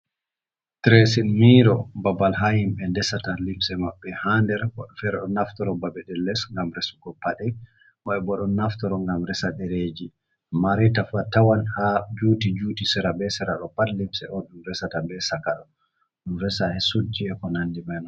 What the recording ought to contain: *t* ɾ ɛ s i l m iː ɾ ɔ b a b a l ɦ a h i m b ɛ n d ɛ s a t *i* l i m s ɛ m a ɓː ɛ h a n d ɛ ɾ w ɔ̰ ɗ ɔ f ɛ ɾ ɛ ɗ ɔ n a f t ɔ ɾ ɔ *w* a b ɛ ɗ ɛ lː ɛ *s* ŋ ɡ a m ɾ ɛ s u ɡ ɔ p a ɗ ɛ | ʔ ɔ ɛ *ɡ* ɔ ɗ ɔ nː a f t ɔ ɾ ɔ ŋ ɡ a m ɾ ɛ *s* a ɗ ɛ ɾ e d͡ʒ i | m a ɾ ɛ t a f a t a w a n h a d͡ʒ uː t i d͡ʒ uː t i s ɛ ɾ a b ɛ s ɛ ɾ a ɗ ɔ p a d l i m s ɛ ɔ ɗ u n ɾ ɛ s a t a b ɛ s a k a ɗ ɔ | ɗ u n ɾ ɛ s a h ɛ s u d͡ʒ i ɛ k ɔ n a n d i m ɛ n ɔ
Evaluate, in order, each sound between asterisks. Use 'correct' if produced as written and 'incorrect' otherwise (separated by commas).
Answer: correct, incorrect, incorrect, correct, incorrect, correct